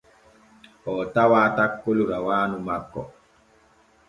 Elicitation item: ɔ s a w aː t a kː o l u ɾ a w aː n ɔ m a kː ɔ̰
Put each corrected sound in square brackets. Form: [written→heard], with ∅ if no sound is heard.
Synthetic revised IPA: ɔ [s→t] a w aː t a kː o l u ɾ a w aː n [ɔ→u] m a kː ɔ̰